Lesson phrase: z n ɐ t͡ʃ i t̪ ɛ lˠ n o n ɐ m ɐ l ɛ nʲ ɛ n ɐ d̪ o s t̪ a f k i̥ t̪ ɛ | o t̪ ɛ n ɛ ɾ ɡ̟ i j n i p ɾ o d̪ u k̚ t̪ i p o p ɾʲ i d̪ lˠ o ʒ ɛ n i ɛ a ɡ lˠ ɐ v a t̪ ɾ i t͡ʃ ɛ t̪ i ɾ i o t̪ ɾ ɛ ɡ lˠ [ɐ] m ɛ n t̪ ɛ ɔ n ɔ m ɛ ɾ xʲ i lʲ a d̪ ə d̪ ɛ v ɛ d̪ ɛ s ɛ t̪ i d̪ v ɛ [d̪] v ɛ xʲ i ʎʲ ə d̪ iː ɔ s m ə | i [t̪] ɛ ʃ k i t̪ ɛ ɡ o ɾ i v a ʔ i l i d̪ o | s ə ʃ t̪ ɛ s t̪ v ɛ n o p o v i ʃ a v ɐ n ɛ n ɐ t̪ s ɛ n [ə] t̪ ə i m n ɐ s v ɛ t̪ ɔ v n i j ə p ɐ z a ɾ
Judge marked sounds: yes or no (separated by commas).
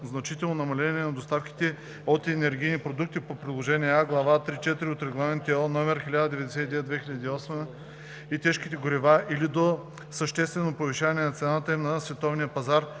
no, yes, yes, no